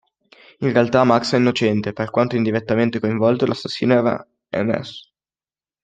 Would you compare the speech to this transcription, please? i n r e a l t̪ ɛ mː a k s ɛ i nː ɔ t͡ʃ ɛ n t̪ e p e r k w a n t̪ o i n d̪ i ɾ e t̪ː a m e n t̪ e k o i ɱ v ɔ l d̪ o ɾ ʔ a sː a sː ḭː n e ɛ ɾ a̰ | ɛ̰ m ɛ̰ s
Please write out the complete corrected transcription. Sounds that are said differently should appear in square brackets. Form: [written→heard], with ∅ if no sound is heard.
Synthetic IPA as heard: i n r e a l t̪ [ɛ→a] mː a k s ɛ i nː [ɔ→o] t͡ʃ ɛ n t̪ e p e r k w a n t̪ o i n d̪ i ɾ e t̪ː a m e n t̪ e k o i ɱ v ɔ l [d̪→t̪] o [ɾ→l] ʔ a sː a sː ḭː n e ɛ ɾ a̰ | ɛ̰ m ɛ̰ s